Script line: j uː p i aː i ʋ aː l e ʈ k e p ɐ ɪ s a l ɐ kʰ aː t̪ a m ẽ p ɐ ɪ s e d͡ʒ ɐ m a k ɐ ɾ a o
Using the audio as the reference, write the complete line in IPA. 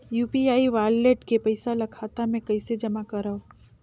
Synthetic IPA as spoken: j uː p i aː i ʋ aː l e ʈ k e p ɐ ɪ s a l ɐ kʰ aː t̪ a m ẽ k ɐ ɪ s e d͡ʒ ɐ m a k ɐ ɾ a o